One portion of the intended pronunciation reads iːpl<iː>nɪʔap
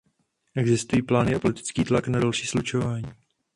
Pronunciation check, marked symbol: incorrect: aː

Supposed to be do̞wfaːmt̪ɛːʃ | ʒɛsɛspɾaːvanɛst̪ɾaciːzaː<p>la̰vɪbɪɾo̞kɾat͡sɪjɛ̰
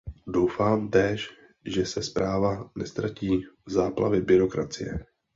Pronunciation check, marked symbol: correct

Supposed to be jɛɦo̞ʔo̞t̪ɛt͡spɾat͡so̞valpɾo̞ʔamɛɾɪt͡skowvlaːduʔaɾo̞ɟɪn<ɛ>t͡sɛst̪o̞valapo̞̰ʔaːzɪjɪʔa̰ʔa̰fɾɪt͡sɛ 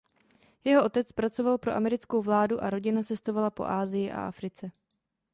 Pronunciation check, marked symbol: incorrect: a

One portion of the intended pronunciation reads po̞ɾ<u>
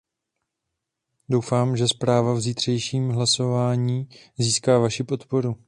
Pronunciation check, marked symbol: correct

